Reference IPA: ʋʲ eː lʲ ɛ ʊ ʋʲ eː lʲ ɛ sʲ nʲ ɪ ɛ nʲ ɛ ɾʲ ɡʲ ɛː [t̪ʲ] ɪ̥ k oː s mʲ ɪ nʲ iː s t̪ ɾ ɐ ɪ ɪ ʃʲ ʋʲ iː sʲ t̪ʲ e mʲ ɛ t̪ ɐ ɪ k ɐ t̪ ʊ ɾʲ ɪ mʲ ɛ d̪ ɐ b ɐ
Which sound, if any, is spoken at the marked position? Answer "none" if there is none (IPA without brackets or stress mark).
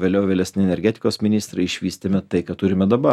t̪ʲ